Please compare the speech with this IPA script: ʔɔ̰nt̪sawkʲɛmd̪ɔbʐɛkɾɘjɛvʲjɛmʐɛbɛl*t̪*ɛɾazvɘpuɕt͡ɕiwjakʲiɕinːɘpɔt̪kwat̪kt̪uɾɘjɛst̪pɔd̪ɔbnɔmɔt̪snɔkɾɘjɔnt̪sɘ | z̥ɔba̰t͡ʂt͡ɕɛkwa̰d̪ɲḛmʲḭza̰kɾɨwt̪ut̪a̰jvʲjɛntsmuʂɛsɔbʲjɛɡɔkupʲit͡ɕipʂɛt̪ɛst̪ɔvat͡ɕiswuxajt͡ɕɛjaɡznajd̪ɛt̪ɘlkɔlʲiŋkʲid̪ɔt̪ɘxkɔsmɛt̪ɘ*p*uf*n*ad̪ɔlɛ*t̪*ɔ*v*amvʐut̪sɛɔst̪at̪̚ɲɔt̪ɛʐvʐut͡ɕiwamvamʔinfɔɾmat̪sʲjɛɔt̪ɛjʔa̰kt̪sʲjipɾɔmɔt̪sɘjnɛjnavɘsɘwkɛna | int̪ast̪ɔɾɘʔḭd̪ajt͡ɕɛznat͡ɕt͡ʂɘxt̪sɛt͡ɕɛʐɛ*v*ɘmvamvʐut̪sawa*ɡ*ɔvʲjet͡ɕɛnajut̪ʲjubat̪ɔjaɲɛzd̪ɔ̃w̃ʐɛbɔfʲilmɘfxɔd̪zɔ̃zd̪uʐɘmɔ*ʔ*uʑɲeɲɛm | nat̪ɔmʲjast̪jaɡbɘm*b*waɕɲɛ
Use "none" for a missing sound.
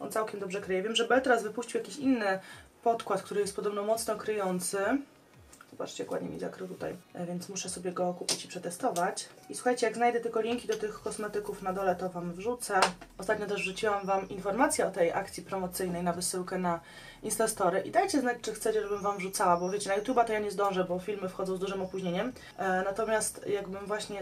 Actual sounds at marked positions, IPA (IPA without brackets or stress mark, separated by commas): t̪, k, n, t̪, v, b, b, p, v